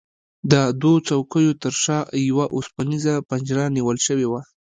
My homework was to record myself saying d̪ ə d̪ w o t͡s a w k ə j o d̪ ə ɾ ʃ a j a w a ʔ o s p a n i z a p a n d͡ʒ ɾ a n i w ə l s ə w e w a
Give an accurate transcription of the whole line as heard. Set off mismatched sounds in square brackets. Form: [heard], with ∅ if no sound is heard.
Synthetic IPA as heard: d̪ ə d̪ w o t͡s a w k ə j o [t̪] ə ɾ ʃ [ɑ] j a w a ʔ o s p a n i z a p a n d͡ʒ ɾ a n i w ə l [ʃ] ə w e w a